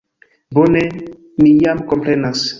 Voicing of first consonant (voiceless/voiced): voiced